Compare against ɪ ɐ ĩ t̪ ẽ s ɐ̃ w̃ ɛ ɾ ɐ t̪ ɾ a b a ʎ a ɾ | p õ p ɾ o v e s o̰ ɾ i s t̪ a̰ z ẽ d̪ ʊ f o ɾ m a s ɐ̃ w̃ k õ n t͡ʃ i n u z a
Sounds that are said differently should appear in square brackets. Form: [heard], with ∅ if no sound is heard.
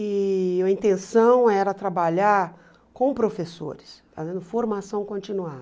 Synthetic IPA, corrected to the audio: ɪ ɐ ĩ t̪ ẽ s ɐ̃ w̃ ɛ ɾ ɐ t̪ ɾ a b a ʎ a ɾ | [k] õ p ɾ o [f] e s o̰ ɾ [ɪ] s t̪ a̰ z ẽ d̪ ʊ f o ɾ m a s ɐ̃ w̃ k õ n t͡ʃ i n u [∅] a